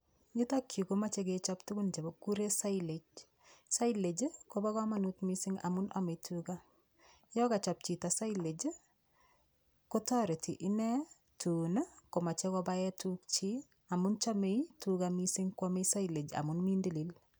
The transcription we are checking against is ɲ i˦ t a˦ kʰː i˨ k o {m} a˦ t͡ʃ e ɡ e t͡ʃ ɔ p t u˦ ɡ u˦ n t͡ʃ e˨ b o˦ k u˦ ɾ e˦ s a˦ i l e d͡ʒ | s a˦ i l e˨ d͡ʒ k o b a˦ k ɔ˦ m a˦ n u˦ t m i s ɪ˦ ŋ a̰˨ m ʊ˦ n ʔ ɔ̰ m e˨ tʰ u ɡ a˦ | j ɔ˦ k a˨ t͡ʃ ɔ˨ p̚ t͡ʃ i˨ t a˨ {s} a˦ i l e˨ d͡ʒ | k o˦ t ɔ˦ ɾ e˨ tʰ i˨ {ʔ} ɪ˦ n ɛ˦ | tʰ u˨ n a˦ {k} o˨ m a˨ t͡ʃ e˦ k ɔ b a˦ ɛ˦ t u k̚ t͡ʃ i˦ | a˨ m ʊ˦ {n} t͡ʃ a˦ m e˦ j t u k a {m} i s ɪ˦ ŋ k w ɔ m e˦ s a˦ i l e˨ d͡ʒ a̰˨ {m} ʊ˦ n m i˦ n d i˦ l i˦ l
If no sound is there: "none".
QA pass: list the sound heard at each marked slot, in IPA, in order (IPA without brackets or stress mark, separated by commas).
m, s, ʔ, k, n, m, m